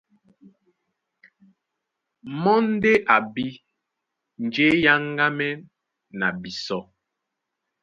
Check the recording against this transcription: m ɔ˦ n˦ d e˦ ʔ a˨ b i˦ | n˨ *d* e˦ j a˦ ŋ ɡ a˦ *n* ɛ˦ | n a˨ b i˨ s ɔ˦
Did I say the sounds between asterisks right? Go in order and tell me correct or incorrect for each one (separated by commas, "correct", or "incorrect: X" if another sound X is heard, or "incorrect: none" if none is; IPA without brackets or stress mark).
incorrect: d͡ʒ, incorrect: m